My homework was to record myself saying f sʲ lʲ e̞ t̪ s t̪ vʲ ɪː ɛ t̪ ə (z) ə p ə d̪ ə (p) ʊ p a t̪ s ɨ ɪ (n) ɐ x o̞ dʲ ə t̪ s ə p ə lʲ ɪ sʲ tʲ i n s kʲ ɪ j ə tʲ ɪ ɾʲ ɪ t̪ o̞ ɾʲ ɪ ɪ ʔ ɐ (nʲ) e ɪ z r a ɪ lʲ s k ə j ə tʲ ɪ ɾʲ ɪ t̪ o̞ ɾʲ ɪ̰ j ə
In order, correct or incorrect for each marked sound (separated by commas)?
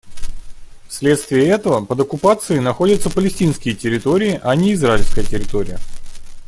incorrect, incorrect, correct, correct